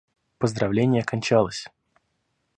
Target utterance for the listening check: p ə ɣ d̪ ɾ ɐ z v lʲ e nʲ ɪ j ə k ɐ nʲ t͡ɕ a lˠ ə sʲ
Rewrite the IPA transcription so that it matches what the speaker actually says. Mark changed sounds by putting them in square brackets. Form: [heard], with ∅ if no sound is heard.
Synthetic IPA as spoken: p ə [z] d̪ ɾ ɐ [∅] v lʲ e nʲ ɪ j ə k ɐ nʲ t͡ɕ a lˠ ə sʲ